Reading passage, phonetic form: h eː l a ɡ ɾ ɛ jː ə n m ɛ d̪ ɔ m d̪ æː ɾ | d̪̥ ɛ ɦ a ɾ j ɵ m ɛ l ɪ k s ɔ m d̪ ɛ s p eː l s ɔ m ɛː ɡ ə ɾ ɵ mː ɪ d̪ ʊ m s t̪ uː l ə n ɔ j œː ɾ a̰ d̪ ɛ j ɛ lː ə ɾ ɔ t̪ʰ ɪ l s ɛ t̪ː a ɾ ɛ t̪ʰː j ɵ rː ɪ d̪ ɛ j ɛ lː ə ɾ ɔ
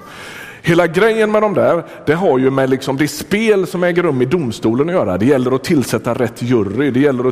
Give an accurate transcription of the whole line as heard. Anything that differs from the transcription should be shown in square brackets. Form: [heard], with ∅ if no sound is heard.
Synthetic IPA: h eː l a ɡ ɾ ɛ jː ə n m ɛ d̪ ɔ m d̪ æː ɾ | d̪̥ ɛ ɦ a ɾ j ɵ m ɛ l ɪ k s ɔ m d̪ ɛ s p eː l s ɔ m ɛː ɡ ə ɾ ɵ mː ɪ d̪ ʊ m s t̪ uː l ə n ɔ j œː ɾ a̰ d̪ ɛ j ɛ lː ə ɾ ɔ t̪ʰ ɪ l s ɛ t̪ː a ɾ ɛ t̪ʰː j ɵ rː ɪ d̪ ɛ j ɛ lː ə ɾ ɔ